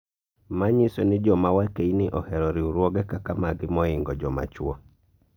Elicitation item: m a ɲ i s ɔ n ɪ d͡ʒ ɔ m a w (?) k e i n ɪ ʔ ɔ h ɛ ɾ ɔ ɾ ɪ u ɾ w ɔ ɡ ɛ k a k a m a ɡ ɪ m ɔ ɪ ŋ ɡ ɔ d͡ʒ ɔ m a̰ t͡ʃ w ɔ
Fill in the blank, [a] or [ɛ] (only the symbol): a